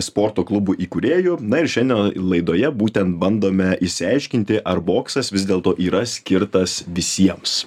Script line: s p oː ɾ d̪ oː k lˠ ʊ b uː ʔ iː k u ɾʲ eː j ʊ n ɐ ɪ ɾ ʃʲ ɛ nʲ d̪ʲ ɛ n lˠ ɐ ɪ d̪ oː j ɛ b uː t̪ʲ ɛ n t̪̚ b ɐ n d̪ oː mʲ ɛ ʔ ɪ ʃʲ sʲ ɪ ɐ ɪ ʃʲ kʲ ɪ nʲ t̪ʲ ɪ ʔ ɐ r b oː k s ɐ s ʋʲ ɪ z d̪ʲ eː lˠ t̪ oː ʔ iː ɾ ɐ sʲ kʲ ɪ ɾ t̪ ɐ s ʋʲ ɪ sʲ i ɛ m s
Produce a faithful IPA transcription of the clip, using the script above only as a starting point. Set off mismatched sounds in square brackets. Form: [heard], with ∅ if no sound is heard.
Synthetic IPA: s p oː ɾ [t̪] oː k lˠ ʊ b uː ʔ iː k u ɾʲ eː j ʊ n ɐ ɪ ɾ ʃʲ ɛ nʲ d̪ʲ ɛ n lˠ ɐ ɪ d̪ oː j ɛ b uː t̪ʲ ɛ n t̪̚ b ɐ n d̪ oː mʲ ɛ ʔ ɪ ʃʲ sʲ ɪ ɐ ɪ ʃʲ kʲ ɪ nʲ t̪ʲ ɪ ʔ ɐ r b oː k s ɐ s ʋʲ ɪ z d̪ʲ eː lˠ t̪ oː ʔ iː ɾ ɐ sʲ kʲ ɪ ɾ t̪ ɐ s ʋʲ ɪ sʲ i ɛ m s

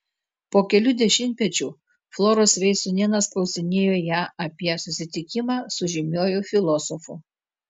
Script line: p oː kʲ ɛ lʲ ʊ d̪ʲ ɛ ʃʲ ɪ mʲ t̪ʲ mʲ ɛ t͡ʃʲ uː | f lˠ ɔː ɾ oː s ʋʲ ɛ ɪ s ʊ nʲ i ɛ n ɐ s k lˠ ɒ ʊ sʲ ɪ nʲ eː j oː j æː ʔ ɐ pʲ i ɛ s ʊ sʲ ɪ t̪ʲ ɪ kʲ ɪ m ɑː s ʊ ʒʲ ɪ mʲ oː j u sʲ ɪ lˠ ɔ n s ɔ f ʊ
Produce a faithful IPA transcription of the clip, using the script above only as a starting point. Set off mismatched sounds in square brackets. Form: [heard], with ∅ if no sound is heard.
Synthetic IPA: p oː kʲ ɛ lʲ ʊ d̪ʲ ɛ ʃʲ ɪ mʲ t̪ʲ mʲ ɛ t͡ʃʲ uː | f lˠ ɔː ɾ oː s ʋʲ ɛ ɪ s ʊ nʲ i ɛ n ɐ s k lˠ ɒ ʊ sʲ ɪ nʲ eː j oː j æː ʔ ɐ pʲ i ɛ s ʊ sʲ ɪ t̪ʲ ɪ kʲ ɪ m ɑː s ʊ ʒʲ ɪ mʲ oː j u [fʲ] ɪ lˠ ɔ [∅] s ɔ f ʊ

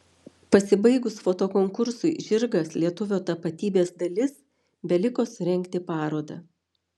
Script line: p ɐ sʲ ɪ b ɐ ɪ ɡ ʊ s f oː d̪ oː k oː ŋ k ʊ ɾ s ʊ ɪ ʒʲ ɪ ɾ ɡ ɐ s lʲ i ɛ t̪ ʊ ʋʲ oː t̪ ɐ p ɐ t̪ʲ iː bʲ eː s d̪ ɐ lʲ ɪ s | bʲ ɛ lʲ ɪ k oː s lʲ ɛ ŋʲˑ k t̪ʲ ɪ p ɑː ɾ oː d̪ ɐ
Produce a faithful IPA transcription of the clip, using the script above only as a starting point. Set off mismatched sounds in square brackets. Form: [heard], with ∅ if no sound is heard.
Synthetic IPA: p ɐ sʲ ɪ b ɐ ɪ ɡ ʊ s f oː [t̪] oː k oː ŋ k ʊ ɾ s ʊ ɪ ʒʲ ɪ ɾ ɡ ɐ s lʲ i ɛ t̪ ʊ ʋʲ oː t̪ ɐ p ɐ t̪ʲ iː bʲ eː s d̪ ɐ lʲ ɪ s | bʲ ɛ lʲ ɪ k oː s [ɾʲ] ɛ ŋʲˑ k t̪ʲ ɪ p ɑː ɾ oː d̪ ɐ

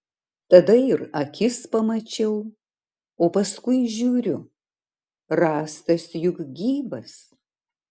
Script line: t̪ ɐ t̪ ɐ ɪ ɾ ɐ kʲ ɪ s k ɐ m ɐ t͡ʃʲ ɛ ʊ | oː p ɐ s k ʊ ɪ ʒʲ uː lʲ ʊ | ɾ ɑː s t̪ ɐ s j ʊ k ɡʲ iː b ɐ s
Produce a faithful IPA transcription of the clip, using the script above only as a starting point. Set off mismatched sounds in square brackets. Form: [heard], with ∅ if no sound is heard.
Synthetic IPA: t̪ ɐ [d̪] ɐ ɪ ɾ ɐ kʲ ɪ s [p] ɐ m ɐ t͡ʃʲ ɛ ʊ | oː p ɐ s k ʊ ɪ ʒʲ uː [ɾʲ] ʊ | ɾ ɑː s t̪ ɐ s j ʊ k ɡʲ iː b ɐ s

